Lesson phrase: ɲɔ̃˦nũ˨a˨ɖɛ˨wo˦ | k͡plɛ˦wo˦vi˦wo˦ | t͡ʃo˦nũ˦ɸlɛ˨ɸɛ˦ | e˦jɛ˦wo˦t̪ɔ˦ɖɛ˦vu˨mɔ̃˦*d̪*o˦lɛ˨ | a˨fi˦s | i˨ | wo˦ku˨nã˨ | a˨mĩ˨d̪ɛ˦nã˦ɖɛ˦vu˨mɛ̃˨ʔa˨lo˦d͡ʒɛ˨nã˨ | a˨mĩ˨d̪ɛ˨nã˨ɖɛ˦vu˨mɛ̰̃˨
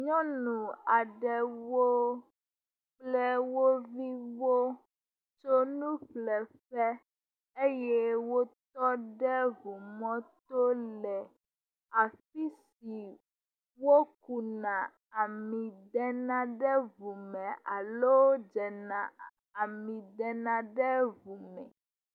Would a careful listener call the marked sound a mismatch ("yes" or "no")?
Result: yes